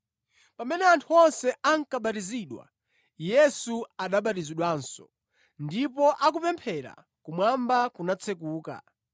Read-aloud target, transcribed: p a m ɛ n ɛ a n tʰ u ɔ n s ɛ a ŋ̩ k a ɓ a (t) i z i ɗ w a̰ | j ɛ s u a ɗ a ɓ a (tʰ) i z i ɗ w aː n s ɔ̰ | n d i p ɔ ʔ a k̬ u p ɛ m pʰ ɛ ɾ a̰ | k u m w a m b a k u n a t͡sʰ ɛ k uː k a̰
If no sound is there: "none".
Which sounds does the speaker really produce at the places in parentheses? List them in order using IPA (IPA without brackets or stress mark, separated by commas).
t, t